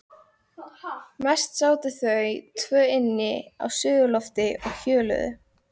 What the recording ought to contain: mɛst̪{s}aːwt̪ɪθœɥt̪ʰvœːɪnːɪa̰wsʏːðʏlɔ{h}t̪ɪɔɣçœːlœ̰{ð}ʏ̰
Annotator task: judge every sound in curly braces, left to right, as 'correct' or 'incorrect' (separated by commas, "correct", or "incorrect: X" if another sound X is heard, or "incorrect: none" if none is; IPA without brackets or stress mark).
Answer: correct, incorrect: f, correct